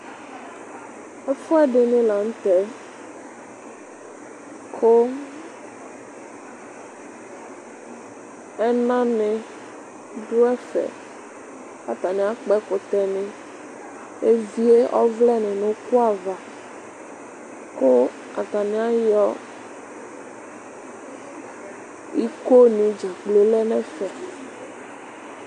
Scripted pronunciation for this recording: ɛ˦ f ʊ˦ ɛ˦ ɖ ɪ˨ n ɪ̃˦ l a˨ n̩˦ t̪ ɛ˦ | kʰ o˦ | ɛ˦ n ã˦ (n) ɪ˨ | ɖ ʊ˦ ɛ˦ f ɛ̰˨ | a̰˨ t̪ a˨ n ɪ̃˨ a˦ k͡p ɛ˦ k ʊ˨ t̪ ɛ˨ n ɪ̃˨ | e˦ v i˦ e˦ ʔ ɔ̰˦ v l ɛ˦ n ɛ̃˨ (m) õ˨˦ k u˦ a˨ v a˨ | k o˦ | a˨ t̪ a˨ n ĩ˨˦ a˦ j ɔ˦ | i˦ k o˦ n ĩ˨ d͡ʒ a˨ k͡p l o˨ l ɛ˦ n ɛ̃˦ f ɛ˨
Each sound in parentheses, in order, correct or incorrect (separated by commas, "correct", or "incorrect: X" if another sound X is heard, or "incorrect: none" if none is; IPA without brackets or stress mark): correct, incorrect: n